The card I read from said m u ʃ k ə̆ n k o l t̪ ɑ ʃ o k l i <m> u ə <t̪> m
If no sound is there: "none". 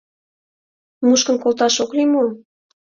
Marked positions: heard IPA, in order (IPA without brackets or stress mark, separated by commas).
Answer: m, none